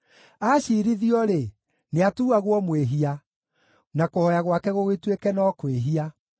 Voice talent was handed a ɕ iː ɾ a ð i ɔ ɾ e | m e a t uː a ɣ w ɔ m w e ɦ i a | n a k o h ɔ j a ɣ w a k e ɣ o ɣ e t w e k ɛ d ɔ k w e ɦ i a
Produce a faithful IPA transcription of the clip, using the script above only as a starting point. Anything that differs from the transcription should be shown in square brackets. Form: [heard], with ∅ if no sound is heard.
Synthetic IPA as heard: a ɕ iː ɾ [i] ð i ɔ ɾ e | [n] e a t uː a ɣ w ɔ m w e ɦ i a | n a k o h ɔ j a ɣ w a k [ɛ] ɣ o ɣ e t w e k ɛ [n] ɔ k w e ɦ i a